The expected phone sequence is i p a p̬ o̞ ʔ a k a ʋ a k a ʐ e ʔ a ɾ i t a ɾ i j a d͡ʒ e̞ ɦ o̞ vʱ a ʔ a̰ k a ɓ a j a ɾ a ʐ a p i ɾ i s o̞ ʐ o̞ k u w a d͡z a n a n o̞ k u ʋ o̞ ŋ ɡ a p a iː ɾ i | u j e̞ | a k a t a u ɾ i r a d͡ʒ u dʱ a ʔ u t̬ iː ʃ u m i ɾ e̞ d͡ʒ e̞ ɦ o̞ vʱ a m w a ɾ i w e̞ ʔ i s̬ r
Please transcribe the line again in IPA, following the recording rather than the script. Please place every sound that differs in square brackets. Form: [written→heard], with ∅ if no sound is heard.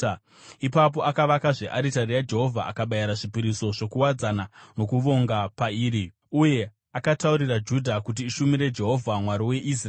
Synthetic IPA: i p a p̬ o̞ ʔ a k a ʋ a k a ʐ e ʔ a ɾ i t a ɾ i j a d͡ʒ e̞ ɦ o̞ vʱ a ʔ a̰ k a ɓ a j a ɾ a ʐ [a→i] p i ɾ i s o̞ ʐ o̞ k u w a d͡z a n a n o̞ k u ʋ o̞ ŋ ɡ a p a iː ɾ i | u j e̞ | a k a t a u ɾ i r a d͡ʒ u dʱ a [ʔ→k] u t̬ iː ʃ u m i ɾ e̞ d͡ʒ e̞ ɦ o̞ vʱ a m w a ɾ i w e̞ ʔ i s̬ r